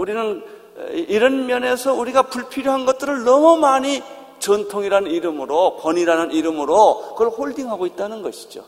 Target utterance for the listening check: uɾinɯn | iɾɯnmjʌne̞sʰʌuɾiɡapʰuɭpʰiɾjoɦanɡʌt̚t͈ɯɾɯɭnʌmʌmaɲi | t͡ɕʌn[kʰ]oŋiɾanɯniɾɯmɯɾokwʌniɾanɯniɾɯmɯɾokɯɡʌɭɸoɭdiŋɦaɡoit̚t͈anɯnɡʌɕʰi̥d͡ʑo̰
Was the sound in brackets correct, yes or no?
no